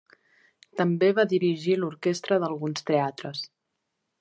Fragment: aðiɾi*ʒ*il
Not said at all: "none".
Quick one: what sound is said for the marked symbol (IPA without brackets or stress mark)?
ʒ